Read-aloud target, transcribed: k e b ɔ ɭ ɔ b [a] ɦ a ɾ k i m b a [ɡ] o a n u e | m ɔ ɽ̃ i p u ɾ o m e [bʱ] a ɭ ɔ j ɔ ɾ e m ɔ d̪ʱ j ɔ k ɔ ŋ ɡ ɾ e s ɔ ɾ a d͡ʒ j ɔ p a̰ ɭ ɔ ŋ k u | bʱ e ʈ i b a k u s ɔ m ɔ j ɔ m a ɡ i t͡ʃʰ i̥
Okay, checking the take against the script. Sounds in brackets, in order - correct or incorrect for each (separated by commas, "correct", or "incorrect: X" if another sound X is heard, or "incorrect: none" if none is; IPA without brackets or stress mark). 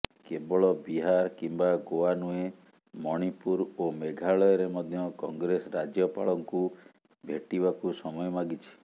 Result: incorrect: i, correct, incorrect: ɡʱ